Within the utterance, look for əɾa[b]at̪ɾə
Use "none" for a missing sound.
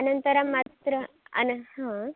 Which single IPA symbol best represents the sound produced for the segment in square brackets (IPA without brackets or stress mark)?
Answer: m